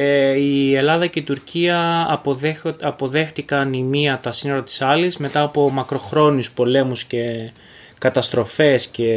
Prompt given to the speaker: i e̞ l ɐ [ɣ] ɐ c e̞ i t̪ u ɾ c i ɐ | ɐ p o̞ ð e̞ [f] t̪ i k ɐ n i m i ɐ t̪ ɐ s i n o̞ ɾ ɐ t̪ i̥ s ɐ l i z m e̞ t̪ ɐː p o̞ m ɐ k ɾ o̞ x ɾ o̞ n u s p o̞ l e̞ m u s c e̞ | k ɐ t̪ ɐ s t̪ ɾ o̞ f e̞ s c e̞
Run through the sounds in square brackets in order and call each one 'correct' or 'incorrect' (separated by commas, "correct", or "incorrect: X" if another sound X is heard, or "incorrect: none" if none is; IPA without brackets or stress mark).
incorrect: ð, incorrect: x